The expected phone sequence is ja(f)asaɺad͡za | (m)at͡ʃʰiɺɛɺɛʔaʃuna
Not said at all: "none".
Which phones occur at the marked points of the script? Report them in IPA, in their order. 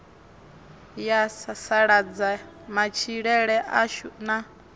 s, m

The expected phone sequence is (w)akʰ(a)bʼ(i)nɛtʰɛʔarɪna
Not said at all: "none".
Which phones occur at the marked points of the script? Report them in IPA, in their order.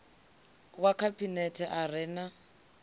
w, a, i

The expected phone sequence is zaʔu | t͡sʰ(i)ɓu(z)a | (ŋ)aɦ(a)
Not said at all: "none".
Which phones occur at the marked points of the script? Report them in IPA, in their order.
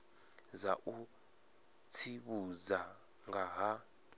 i, z, ŋ, a

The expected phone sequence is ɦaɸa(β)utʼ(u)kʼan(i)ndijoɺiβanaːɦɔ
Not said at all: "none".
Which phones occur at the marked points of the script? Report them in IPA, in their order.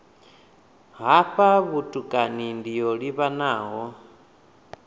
β, u, i

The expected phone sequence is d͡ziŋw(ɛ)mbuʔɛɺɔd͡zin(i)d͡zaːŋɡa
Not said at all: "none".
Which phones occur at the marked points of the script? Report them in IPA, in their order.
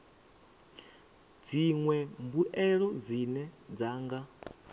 ɛ, ɛ

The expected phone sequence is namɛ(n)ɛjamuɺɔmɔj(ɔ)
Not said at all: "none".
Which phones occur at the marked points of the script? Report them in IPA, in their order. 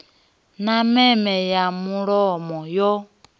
m, ɔ

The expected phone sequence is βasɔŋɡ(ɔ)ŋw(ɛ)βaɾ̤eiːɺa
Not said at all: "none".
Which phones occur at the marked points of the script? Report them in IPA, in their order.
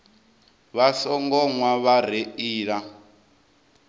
ɔ, a

